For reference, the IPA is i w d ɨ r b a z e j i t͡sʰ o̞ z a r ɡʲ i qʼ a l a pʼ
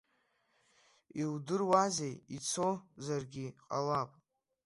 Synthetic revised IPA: i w d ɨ r w a z e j i t͡sʰ o̞ z a r ɡʲ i qʼ a l a pʼ